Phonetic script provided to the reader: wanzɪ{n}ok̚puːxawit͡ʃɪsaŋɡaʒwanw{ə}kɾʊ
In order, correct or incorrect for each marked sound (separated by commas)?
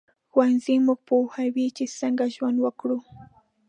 incorrect, incorrect